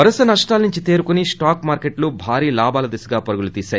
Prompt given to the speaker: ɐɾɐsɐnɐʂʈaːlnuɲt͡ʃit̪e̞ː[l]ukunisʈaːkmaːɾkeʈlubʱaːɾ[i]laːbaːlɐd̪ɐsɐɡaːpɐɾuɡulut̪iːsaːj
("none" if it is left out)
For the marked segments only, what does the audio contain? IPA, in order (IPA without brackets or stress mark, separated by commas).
ɾ, iː